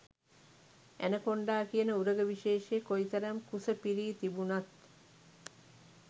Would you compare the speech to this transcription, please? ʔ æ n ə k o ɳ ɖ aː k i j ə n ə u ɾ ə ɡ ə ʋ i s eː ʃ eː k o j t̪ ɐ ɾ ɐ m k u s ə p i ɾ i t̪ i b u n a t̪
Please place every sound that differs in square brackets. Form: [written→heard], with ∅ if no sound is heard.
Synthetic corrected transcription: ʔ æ n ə k o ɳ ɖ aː k i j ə n ə u ɾ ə ɡ ə ʋ i [s→ʃ] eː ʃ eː k o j t̪ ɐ ɾ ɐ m k u s ə p i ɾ [i→iː] t̪ i b u n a t̪